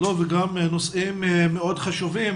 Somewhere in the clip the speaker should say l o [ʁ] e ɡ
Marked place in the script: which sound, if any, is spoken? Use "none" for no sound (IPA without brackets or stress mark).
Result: v